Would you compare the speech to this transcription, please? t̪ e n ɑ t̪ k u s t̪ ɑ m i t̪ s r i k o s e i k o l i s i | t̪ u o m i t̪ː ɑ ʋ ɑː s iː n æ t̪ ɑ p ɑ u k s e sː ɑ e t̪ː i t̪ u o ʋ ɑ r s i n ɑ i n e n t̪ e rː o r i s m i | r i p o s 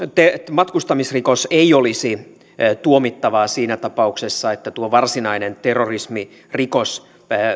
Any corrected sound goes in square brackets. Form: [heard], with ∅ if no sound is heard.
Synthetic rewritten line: t̪ e [m] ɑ t̪ k u s t̪ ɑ m i [∅] s r i k o s e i [∅] o l i s i | t̪ u o m i t̪ː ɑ ʋ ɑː s iː n æ t̪ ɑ p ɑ u k s e sː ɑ e t̪ː [æ] t̪ u o ʋ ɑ r s i n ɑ i n e n t̪ e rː o r i s m i | r i [k] o s